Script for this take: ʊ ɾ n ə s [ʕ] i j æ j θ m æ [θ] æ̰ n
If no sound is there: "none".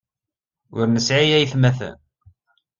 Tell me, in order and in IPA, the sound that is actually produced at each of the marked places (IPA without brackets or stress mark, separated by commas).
ʕ, θ